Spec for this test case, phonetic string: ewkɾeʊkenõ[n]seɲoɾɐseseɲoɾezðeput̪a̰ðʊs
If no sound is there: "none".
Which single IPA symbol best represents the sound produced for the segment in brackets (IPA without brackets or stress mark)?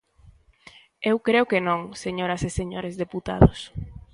ŋ